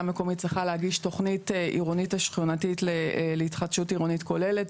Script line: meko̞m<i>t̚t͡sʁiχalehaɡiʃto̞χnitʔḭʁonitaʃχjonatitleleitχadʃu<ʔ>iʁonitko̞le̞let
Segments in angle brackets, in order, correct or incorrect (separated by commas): correct, incorrect